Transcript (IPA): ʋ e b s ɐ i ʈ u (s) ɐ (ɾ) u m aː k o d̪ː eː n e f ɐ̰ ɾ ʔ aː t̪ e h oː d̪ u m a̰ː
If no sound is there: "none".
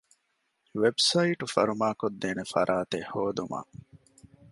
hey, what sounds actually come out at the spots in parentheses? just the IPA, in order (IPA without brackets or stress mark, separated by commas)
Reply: f, ɾ